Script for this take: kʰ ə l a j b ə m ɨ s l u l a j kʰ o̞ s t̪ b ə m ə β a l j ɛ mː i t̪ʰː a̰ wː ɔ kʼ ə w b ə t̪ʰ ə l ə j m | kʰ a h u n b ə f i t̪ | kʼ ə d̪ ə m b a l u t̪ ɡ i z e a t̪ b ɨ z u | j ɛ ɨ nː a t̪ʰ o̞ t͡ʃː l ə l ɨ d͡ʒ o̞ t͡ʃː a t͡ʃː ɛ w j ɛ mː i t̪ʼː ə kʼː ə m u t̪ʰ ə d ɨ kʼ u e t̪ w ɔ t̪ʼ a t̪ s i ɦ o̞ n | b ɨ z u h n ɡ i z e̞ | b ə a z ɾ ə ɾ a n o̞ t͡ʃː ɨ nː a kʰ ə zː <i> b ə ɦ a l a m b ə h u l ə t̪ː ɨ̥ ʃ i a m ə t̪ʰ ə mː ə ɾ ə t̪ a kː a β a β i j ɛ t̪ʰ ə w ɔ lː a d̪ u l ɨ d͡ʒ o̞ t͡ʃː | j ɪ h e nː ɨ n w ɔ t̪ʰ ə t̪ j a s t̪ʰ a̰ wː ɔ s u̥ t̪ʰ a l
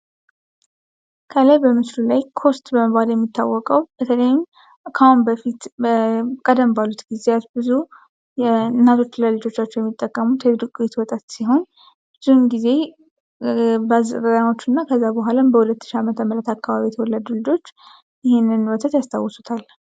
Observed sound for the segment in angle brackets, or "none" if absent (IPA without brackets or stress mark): a